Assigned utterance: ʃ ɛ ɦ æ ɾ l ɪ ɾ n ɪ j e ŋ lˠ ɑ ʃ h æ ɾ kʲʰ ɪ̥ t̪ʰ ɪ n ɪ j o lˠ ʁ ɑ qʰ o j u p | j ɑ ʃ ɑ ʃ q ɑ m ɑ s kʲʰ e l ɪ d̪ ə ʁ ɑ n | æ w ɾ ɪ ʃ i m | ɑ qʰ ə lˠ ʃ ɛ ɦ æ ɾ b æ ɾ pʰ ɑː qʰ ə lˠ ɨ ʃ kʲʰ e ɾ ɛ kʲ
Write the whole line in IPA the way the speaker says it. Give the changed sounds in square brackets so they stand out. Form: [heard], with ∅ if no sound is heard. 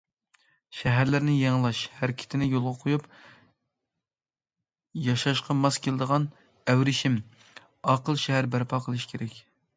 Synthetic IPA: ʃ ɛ ɦ æ ɾ l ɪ ɾ n ɪ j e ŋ lˠ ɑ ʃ h æ ɾ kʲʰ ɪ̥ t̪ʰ ɪ n ɪ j o lˠ ʁ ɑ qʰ o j u p | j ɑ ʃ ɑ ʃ q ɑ m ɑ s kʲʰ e l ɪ d̪ ə ʁ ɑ n | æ w ɾ ɪ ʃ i m | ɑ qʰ ə lˠ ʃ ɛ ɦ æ ɾ b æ ɾ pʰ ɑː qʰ ə lˠ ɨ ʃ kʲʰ e ɾ ɛ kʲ